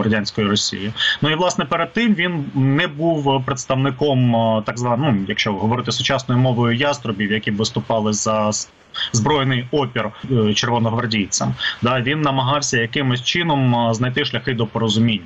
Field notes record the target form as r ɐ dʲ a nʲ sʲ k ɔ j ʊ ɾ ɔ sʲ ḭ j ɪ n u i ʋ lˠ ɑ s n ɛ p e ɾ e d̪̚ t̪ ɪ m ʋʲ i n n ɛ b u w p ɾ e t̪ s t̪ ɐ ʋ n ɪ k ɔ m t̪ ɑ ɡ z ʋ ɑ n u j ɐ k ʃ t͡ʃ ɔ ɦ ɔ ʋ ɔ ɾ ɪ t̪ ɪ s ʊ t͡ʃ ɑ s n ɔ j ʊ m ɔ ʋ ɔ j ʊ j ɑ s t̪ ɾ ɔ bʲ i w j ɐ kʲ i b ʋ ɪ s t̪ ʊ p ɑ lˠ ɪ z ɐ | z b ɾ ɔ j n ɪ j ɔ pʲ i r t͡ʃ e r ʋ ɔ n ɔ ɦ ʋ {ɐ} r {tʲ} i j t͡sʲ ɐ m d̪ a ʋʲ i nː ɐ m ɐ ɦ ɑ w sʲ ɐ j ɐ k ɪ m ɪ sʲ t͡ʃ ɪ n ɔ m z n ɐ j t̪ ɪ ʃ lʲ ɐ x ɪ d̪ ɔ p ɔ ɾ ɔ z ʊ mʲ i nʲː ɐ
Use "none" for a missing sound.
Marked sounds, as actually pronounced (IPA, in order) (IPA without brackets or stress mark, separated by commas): ɐ, dʲ